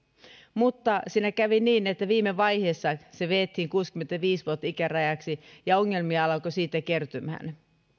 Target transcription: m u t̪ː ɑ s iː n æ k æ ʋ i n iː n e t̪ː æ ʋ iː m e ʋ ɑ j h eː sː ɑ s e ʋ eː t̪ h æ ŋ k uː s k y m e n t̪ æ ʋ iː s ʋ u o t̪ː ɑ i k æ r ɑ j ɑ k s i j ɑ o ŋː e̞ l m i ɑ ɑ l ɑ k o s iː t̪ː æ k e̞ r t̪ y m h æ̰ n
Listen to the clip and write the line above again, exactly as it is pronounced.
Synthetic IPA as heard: m u t̪ː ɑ s iː n æ k æ ʋ i n iː n e t̪ː æ ʋ iː m e ʋ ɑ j h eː sː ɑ s e ʋ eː t̪ h i ŋ k uː s k y m e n t̪ æ ʋ iː s ʋ u o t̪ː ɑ i k æ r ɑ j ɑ k s i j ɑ o ŋː e̞ l m i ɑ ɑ l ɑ k o s iː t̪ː æ k e̞ r t̪ y m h æ̰ n